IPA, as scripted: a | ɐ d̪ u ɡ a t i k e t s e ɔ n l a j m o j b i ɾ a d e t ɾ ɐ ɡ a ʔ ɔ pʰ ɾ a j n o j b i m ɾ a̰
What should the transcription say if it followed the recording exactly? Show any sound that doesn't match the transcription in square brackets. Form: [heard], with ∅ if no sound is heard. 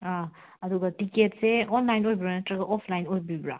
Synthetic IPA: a | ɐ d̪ u ɡ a t i k e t s e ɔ n l a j [n] o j b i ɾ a [n] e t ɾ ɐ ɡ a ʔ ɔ pʰ [l] a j n o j b i [b] ɾ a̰